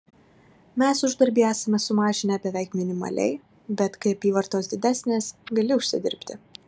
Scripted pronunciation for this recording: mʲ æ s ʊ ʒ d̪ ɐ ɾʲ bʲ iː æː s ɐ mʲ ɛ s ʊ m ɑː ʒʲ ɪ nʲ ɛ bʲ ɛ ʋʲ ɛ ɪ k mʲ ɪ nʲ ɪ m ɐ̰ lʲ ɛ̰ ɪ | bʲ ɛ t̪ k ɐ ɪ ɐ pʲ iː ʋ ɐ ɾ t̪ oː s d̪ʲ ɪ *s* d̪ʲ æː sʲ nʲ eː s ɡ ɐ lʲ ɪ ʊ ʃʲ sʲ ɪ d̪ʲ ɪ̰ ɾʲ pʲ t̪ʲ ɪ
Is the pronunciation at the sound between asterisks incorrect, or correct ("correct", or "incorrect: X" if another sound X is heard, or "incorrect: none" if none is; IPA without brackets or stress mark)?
incorrect: none